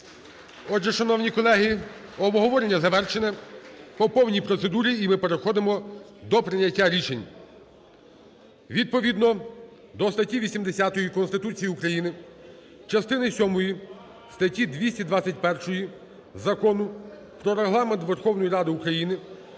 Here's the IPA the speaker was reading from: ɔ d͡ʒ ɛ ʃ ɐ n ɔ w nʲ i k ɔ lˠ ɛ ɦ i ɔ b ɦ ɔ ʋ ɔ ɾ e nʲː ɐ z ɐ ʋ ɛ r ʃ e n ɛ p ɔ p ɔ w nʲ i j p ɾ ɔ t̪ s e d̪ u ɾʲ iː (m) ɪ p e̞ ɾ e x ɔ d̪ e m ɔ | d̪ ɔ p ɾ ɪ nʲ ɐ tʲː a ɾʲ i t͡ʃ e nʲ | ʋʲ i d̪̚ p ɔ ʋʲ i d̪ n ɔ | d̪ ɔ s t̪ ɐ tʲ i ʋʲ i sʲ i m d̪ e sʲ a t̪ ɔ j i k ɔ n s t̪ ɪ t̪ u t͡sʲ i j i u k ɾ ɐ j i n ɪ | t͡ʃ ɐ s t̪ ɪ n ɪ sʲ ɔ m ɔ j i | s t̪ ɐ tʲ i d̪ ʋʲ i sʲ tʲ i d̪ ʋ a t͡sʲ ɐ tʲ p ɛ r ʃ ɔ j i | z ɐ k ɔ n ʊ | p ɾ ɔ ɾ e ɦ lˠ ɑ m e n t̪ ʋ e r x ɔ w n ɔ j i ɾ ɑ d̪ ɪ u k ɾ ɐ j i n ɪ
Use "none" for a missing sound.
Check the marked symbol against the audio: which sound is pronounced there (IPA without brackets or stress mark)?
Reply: m